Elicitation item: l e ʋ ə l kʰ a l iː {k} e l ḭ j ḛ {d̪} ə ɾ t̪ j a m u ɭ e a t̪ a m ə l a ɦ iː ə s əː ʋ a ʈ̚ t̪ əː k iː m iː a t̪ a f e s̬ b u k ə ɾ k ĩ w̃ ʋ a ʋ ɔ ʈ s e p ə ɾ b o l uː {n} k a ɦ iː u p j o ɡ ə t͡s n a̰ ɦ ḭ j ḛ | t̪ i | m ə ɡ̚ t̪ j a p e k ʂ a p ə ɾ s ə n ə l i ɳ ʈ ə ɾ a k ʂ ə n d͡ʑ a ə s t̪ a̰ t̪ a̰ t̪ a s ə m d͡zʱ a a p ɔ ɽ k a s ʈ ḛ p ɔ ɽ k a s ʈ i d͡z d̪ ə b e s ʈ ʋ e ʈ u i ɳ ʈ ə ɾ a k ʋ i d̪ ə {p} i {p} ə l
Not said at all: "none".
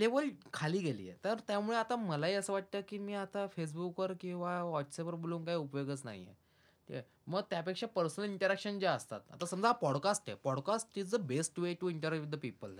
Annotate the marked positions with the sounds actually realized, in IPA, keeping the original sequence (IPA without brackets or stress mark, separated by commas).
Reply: ɡ, t̪, ŋ, p, p